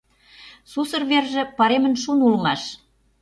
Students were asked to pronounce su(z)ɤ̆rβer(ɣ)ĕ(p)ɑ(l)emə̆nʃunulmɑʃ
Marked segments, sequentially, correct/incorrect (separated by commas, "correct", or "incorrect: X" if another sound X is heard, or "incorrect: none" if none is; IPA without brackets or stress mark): incorrect: s, incorrect: ʒ, correct, incorrect: ɾ